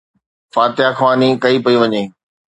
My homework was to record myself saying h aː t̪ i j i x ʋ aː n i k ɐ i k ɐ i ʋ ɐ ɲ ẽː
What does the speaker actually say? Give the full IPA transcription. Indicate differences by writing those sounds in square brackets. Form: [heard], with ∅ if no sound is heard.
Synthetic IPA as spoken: [f] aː t̪ [ɪ] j [a] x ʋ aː n i k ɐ i [p] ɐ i ʋ ɐ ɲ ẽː